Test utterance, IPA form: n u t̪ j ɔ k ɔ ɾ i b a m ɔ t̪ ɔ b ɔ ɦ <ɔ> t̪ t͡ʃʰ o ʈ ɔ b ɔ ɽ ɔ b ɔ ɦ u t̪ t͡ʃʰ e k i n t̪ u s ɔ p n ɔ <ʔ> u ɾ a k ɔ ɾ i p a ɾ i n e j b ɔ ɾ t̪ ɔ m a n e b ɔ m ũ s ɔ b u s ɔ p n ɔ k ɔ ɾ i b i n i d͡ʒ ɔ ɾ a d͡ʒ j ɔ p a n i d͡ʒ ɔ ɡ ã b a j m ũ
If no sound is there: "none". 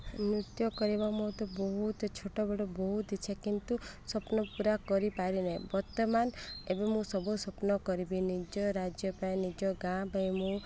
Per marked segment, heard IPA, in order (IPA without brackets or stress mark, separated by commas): u, p